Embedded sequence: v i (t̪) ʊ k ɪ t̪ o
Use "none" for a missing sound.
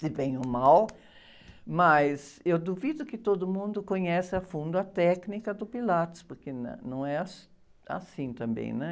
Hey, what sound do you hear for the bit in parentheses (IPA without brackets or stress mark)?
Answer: d̪